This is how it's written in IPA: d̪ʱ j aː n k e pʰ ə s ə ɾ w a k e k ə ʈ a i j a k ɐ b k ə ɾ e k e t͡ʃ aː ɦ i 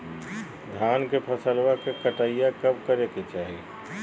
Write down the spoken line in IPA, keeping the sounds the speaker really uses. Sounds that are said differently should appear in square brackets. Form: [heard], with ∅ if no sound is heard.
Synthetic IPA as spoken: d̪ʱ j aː n k e pʰ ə s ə [l] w a k e k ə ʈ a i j a k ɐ b k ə ɾ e k e t͡ʃ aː ɦ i